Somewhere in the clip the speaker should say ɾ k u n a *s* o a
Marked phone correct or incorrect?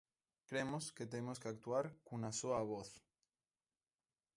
correct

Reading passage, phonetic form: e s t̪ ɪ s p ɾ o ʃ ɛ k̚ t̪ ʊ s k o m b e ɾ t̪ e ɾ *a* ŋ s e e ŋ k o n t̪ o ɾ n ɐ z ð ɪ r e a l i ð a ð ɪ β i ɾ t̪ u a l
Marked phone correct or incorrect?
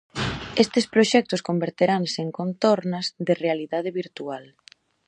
correct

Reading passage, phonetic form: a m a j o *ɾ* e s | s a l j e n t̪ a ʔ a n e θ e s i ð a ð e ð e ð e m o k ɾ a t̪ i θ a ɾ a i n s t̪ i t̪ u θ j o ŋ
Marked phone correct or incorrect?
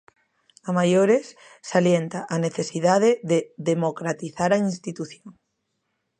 correct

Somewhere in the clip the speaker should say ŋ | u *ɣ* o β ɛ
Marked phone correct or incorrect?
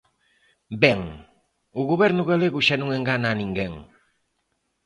correct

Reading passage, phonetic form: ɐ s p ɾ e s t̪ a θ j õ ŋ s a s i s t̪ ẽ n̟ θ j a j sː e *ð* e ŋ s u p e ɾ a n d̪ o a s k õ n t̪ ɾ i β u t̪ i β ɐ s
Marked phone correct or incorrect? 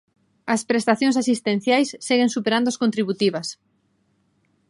incorrect: ɣ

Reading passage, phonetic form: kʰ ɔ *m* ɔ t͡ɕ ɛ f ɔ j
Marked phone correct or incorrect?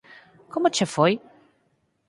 correct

